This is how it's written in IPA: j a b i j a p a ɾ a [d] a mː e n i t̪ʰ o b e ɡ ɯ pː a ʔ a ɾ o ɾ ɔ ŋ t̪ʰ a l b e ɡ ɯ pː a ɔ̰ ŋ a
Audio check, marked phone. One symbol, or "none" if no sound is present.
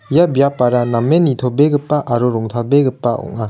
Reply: n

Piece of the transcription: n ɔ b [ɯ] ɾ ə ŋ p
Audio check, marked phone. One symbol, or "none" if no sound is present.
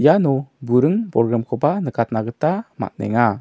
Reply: u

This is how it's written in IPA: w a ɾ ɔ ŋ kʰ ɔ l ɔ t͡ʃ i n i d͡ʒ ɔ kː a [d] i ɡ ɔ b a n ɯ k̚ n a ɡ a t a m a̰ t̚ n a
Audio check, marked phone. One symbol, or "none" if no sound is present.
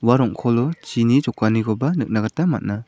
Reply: n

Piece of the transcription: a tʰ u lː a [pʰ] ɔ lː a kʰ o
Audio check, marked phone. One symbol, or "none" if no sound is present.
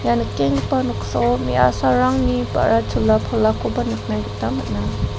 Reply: pʰ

